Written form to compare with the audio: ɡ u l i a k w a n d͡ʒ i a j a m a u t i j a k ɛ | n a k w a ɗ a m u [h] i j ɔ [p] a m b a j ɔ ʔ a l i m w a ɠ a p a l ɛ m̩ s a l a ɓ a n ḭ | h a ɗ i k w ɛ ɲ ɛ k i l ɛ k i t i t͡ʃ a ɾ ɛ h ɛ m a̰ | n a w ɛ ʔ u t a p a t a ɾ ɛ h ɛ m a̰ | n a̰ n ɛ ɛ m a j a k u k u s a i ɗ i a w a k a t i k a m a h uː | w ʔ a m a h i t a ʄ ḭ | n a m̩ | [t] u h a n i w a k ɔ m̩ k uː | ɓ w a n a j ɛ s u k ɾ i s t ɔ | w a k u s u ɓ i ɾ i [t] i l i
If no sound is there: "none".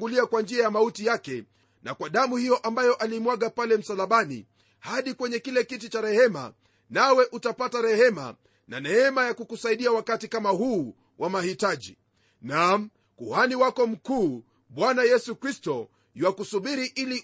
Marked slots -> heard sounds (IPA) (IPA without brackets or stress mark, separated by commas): h, ʔ, k, ʔ